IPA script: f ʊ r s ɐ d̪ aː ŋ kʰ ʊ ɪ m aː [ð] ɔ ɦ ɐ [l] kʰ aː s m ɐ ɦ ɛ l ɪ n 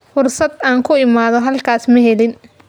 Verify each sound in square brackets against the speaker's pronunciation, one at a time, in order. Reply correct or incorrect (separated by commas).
correct, correct